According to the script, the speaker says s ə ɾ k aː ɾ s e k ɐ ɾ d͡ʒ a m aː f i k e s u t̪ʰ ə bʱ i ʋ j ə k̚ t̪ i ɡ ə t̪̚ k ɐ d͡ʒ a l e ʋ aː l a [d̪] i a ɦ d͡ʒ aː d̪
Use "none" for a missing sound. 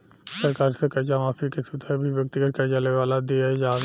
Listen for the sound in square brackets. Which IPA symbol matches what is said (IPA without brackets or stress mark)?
d̪